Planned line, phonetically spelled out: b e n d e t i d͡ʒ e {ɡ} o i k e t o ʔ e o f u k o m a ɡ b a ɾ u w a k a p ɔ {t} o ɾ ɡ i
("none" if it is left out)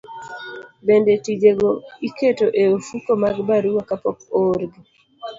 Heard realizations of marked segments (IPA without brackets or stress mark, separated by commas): ɡ, k